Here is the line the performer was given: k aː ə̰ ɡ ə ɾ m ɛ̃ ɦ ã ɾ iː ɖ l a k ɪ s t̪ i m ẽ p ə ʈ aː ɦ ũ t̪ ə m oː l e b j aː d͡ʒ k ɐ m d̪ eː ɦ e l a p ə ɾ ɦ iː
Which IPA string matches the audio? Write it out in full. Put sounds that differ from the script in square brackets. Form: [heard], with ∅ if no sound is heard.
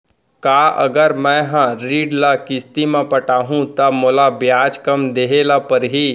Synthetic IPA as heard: k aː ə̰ ɡ ə ɾ m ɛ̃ ɦ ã ɾ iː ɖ l a k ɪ s t̪ i m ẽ p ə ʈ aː ɦ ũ t̪ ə m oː l [a] b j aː d͡ʒ k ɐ m d̪ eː ɦ e l a p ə ɾ ɦ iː